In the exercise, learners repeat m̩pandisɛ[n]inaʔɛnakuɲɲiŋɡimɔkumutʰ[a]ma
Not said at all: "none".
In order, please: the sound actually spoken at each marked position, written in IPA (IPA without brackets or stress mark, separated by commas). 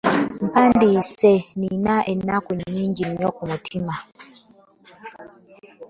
n, i